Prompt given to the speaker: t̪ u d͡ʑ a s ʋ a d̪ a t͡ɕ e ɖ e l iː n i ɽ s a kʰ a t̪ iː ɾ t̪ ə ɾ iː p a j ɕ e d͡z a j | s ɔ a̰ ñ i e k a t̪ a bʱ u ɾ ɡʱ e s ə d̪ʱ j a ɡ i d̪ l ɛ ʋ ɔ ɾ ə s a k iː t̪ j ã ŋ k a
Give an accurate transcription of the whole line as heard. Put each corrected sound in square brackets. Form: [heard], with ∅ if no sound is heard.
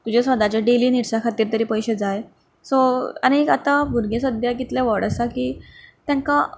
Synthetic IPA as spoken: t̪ u d͡ʑ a s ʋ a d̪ a t͡ɕ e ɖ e l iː n i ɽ s a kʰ a t̪ iː ɾ t̪ ə ɾ iː p [ə] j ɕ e d͡z a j | s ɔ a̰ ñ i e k a t̪ a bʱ u ɾ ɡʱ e s ə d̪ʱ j a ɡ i [t̪] l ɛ ʋ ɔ [ɽ] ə s a k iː t̪ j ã ŋ k a